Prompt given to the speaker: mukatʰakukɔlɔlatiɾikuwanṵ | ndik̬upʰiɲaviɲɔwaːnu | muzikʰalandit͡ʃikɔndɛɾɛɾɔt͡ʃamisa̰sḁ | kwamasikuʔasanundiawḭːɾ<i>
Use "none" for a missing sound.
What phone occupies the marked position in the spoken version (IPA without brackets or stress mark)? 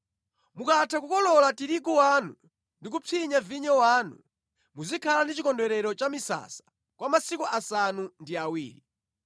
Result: i